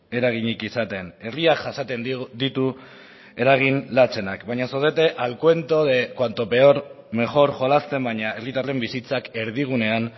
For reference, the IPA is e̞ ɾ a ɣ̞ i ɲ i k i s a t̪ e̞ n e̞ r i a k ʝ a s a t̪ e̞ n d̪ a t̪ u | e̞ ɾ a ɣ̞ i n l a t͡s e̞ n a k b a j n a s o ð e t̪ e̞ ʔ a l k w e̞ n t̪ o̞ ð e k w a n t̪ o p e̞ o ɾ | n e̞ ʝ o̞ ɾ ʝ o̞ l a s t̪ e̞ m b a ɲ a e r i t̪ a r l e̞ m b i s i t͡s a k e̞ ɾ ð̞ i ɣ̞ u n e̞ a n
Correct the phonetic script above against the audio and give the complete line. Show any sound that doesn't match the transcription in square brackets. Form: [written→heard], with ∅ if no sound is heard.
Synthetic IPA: e̞ ɾ a ɣ̞ i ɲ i k i s a t̪ e̞ n e̞ r i a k ʝ a s a t̪ e̞ n d̪ [a→i] t̪ u | e̞ ɾ a ɣ̞ i n l a t͡s e̞ n a k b a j [n→ɲ] a s o ð e t̪ e̞ ʔ a l k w e̞ n t̪ o̞ ð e k w a n t̪ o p e̞ o ɾ | [n→m] e̞ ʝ o̞ ɾ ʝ o̞ l a s t̪ e̞ m b a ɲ a e r i t̪ a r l e̞ m b i s i t͡s a k e̞ ɾ ð̞ i ɣ̞ u n e̞ a n